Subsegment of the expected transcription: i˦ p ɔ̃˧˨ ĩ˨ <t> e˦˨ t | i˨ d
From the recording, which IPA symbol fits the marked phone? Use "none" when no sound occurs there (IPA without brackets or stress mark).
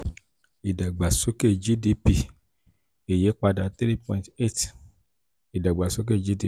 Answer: t